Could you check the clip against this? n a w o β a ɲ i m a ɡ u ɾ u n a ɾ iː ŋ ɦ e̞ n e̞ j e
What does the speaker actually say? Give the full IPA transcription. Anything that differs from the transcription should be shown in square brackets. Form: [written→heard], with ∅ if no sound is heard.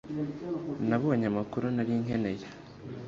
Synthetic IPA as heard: n a [w→β] o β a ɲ [i→a] m a [ɡ→k] u ɾ u n a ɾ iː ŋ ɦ e̞ n e̞ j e